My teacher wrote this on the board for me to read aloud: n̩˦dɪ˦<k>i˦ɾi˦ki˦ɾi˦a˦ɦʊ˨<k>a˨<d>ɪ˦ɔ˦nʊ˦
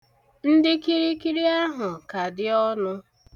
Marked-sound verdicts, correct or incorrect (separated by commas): correct, correct, correct